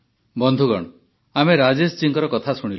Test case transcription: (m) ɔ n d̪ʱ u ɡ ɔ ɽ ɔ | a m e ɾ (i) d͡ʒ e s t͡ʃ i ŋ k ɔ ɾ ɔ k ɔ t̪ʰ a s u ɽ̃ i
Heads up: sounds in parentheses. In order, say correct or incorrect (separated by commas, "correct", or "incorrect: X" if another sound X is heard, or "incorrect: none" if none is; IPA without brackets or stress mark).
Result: incorrect: b, incorrect: a